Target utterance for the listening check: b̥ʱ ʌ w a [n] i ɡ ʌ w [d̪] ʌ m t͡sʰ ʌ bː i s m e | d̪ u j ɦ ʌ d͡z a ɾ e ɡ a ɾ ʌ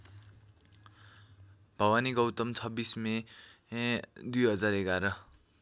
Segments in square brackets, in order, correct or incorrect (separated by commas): correct, incorrect